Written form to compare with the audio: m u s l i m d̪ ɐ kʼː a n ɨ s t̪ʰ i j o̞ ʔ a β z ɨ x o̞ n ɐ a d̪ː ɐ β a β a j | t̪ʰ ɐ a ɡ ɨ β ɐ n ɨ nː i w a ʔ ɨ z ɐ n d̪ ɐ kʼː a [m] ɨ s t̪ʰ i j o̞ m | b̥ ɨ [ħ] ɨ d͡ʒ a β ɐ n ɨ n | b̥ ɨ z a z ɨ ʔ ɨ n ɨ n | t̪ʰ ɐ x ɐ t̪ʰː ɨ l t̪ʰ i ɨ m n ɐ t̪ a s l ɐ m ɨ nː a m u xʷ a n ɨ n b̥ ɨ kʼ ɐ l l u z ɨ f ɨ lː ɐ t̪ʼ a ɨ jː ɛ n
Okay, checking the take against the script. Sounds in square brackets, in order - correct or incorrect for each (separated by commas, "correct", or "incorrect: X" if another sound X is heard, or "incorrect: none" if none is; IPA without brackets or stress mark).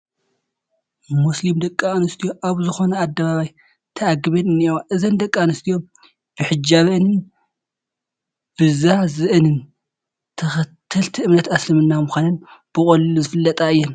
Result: incorrect: n, correct